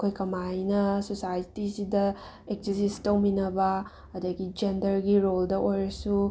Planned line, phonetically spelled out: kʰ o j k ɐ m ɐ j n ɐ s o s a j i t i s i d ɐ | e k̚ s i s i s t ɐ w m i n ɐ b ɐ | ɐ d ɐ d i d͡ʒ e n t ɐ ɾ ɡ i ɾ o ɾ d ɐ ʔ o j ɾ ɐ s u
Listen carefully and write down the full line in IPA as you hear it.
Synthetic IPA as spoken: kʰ o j k ɐ m a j n ɐ s o s a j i t i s i d ɐ | e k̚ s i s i s t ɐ w m i n ɐ b ɐ | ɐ d ɐ ɡ i d͡ʒ e n d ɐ ɾ ɡ i ɾ o l d ɐ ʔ o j ɾ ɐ s u